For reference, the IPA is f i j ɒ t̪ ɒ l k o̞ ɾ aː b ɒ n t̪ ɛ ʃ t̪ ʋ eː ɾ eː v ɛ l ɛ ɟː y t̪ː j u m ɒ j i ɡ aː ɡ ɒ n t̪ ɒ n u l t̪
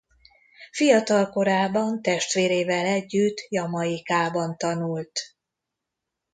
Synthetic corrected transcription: f i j ɒ t̪ ɒ l k o̞ ɾ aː b ɒ n t̪ ɛ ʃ t̪ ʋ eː ɾ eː v ɛ l ɛ ɟː y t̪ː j ɒ m ɒ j i k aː b ɒ n t̪ ɒ n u l t̪